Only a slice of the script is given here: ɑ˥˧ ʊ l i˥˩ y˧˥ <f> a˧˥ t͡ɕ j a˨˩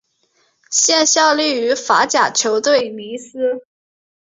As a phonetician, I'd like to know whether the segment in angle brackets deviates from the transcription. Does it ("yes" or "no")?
no